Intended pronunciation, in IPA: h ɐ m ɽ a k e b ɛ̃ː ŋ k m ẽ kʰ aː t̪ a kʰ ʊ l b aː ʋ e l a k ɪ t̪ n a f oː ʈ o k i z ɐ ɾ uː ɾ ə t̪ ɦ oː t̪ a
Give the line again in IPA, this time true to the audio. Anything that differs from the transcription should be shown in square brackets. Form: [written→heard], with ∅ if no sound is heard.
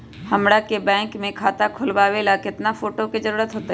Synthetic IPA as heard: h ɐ m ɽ a k e b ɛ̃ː ŋ k m ẽ kʰ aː t̪ a kʰ ʊ l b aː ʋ e l a k ɪ t̪ n a f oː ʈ o k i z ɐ ɾ uː ɾ ə t̪ ɦ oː t̪ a